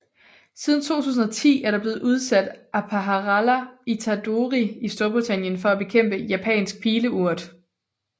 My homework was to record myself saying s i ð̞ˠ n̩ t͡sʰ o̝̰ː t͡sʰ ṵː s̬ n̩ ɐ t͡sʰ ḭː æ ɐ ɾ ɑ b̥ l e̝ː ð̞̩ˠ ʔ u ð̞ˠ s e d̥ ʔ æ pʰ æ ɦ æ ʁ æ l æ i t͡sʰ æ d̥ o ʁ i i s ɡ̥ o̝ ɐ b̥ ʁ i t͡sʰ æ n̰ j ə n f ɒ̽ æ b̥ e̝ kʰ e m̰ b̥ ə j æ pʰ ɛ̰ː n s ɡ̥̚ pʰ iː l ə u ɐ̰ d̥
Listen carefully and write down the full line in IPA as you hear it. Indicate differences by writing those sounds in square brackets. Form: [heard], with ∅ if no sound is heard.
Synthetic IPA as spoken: s i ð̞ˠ n̩ t͡sʰ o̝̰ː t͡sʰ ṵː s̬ n̩ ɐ t͡sʰ ḭː æ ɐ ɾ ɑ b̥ l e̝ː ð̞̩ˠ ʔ u ð̞ˠ s [æ] d̥ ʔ æ pʰ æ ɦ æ ʁ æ l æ i t͡sʰ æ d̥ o ʁ i i s [d̥] o̝ ɐ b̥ ʁ i t͡sʰ æ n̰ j ə n f ɒ̽ æ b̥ e̝ kʰ e m̰ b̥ ə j æ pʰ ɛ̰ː n s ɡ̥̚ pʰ iː l ə u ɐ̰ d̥